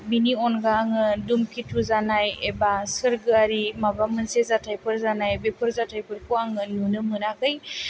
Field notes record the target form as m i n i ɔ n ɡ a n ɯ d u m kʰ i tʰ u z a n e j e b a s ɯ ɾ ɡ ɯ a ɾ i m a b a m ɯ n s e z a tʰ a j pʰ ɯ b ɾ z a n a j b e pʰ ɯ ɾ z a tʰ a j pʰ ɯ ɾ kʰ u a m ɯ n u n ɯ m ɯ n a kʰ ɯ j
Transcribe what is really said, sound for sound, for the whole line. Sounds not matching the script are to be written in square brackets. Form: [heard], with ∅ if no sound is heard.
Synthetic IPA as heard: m i n i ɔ n ɡ a [ŋ] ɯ d u m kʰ i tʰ u z a n [a] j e b a s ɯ ɾ ɡ ɯ a ɾ i m a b a m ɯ n s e z a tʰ a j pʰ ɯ [∅] ɾ z a n a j b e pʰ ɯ ɾ z a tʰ a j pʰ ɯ ɾ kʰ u a [ŋ] ɯ n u n ɯ m ɯ n a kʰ ɯ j